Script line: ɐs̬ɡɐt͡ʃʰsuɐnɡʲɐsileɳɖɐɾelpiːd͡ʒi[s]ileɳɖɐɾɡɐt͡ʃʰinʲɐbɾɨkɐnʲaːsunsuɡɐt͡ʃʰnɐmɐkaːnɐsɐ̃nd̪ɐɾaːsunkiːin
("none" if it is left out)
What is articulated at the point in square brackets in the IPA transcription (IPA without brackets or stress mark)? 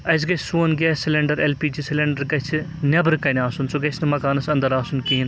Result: s